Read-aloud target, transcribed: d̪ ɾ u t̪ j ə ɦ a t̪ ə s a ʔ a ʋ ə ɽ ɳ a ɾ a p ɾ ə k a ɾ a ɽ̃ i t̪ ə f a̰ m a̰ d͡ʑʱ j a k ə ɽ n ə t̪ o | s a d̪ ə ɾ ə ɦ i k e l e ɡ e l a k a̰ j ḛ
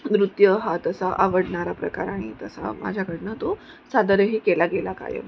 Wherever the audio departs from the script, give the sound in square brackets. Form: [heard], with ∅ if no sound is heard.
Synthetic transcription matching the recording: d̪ ɾ u t̪ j ə ɦ a t̪ ə s a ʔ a ʋ ə ɽ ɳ a ɾ a p ɾ ə k a ɾ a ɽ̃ i t̪ ə [s] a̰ m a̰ d͡ʑʱ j a k ə ɽ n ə t̪ o | s a d̪ ə ɾ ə ɦ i k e l [a] ɡ e l a k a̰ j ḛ

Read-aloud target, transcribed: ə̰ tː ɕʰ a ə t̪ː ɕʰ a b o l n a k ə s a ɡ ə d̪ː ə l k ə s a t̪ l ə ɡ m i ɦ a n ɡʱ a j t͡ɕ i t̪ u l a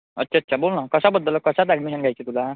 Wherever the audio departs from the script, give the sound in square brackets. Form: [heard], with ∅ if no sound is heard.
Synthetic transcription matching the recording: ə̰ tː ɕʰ a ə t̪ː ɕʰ a b o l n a k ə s a [b] ə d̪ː ə l k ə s a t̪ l [a] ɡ m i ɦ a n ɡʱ a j t͡ɕ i t̪ u l a

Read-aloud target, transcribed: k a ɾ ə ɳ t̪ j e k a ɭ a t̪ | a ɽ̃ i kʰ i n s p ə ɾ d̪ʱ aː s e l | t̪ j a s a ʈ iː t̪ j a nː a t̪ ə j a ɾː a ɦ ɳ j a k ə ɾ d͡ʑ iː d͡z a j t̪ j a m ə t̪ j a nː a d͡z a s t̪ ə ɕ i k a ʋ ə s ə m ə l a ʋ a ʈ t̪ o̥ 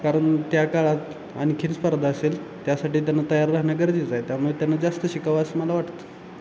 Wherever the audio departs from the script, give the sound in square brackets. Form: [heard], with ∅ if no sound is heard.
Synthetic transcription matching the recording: k a ɾ ə ɳ t̪ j [a] k a ɭ a t̪ | a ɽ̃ i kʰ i n s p ə ɾ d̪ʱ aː s e l | t̪ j a s a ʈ iː t̪ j a nː a t̪ ə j a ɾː a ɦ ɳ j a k ə ɾ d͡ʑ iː d͡z a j t̪ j a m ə t̪ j a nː a d͡z a s t̪ ə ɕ i k a ʋ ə s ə m ə l a ʋ a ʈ t̪ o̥

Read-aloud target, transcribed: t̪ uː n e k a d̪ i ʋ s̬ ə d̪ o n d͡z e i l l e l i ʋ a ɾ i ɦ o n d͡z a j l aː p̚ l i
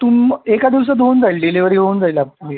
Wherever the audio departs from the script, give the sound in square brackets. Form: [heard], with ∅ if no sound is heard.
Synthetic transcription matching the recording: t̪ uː [m] e k a d̪ i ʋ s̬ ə d̪ o n d͡z [a] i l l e l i ʋ [ə] ɾ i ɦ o n d͡z a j l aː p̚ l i

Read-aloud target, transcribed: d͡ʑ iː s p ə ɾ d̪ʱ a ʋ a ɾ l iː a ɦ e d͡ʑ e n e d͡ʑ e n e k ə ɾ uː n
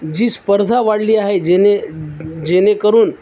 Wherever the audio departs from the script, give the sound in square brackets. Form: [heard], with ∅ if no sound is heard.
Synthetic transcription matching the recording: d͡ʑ iː s p ə ɾ d̪ʱ a ʋ a [ɽ] l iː a ɦ e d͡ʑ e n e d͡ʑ e n e k ə ɾ uː n

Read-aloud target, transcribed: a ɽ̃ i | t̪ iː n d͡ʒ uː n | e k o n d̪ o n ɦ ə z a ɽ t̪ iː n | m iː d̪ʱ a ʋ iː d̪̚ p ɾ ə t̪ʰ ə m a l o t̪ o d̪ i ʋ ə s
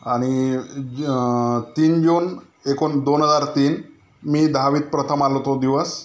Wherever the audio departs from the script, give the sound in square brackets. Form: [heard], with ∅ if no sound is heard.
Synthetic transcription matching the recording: a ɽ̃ i | t̪ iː n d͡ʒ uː n | e k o n d̪ o n ɦ ə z a [ɾ] t̪ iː n | m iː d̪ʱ a ʋ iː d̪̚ p ɾ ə t̪ʰ ə m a l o t̪ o d̪ i ʋ ə s

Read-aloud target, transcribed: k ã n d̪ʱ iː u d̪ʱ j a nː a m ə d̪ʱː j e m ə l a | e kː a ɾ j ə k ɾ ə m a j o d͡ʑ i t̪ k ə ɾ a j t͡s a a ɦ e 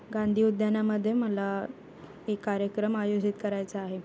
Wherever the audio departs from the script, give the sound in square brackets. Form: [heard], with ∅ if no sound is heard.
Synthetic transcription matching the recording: [ɡ] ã n d̪ʱ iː u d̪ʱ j a [n] a m ə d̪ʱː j e m ə l a | e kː a ɾ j ə k ɾ ə m a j o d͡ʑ i t̪ k ə ɾ a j t͡s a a ɦ e

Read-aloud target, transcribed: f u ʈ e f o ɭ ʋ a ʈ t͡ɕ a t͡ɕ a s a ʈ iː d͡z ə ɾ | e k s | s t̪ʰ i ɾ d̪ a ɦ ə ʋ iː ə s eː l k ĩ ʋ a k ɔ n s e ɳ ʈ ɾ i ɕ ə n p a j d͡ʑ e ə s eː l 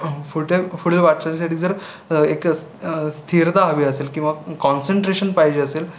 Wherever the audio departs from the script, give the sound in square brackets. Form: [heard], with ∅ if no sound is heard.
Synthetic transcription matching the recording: f u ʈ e f [u] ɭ ʋ a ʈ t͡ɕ a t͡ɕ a s a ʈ iː d͡z ə ɾ | e k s | s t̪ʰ i ɾ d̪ a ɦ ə ʋ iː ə s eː l k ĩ ʋ a k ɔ n s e ɳ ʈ ɾ [e] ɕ ə n p a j d͡ʑ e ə s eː l

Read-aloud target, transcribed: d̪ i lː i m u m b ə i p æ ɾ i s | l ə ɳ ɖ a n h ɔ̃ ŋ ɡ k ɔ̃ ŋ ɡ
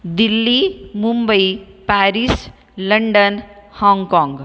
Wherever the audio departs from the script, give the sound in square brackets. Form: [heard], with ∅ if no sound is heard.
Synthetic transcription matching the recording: d̪ i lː i m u m b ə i p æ ɾ i s | l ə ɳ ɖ [ə] n h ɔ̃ ŋ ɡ k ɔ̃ ŋ ɡ

